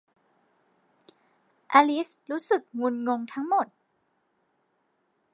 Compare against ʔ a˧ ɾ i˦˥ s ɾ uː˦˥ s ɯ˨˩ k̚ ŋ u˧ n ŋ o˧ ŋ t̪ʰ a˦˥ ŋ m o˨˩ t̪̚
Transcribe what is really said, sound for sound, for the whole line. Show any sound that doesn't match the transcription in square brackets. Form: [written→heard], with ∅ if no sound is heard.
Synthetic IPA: ʔ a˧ [ɾ→l] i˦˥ s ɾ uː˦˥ s ɯ˨˩ k̚ ŋ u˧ n ŋ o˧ ŋ t̪ʰ a˦˥ ŋ m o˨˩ t̪̚